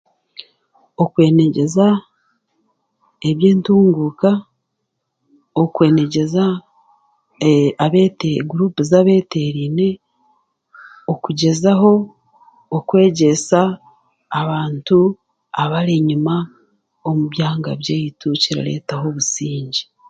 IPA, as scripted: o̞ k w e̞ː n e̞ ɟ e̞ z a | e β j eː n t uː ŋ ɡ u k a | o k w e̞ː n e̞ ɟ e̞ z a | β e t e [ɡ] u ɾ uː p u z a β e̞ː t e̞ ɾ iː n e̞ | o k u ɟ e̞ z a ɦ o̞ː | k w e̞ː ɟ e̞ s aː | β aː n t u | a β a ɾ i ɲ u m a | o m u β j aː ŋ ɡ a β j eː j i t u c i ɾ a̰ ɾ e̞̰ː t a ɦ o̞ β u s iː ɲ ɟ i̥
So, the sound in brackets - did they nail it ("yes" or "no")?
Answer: yes